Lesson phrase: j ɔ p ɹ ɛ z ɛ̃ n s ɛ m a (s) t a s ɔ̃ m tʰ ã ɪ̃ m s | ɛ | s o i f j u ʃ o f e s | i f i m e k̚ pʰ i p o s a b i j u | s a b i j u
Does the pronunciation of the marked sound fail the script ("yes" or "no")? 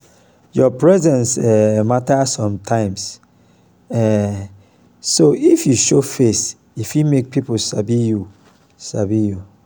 yes